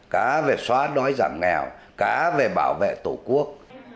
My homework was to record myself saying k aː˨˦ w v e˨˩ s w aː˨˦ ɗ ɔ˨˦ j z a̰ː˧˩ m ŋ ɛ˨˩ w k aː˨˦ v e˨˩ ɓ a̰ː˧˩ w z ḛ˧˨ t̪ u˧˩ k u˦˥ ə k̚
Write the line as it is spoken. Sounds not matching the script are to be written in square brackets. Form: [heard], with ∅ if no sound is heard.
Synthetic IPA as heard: k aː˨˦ [∅] v e˨˩ s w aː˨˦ ɗ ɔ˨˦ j z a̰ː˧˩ m ŋ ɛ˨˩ w k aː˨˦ v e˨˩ ɓ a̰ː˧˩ w [v] ḛ˧˨ t̪ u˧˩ k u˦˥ ə k̚